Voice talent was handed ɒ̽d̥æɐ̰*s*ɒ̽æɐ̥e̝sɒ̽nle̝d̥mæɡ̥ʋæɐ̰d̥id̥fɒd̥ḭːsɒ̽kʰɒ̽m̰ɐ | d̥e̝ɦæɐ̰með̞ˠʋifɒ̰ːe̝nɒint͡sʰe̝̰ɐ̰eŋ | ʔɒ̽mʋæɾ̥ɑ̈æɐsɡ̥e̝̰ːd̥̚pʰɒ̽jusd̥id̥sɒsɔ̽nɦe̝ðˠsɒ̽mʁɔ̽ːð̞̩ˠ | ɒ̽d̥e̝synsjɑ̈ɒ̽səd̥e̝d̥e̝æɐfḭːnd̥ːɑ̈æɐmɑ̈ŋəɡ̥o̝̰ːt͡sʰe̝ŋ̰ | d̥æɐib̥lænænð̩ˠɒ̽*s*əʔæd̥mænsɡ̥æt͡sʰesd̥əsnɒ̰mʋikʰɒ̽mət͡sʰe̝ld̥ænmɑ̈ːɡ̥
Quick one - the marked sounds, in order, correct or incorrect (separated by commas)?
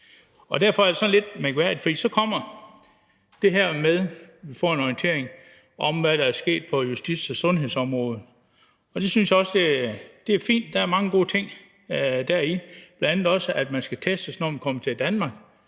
incorrect, correct